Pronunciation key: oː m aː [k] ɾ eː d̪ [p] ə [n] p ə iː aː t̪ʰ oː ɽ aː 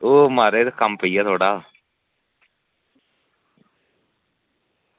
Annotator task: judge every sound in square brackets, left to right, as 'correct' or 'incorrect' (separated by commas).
incorrect, incorrect, incorrect